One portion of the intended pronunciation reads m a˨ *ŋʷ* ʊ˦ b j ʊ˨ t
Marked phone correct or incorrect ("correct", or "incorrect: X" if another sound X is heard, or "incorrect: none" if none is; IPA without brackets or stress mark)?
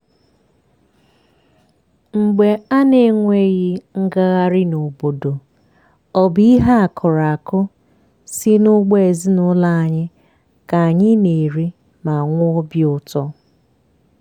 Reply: correct